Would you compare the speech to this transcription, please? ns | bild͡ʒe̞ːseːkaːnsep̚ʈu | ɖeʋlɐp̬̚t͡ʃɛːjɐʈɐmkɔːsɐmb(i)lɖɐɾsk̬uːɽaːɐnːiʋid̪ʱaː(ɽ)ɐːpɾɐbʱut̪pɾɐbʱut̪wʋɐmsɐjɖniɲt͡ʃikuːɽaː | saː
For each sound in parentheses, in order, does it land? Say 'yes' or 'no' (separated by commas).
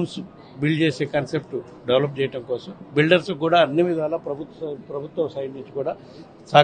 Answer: yes, no